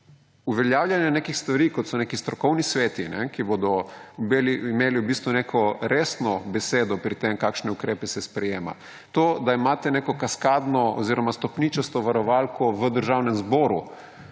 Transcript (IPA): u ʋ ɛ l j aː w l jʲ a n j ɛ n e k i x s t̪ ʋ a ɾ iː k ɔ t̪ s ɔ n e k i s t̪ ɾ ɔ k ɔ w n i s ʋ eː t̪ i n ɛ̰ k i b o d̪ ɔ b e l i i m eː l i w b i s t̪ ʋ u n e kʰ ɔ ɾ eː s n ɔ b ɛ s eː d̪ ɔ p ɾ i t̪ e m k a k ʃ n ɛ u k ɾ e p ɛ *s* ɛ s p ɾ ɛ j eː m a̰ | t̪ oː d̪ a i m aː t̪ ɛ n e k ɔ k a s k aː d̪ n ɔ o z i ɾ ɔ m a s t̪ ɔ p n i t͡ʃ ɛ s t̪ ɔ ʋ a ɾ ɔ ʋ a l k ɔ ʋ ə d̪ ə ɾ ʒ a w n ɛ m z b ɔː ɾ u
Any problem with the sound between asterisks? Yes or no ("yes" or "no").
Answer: no